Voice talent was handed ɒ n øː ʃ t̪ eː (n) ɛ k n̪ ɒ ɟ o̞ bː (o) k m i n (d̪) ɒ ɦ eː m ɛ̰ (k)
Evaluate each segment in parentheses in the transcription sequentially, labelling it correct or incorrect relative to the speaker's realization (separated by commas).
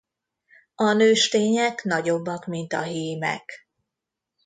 incorrect, incorrect, incorrect, correct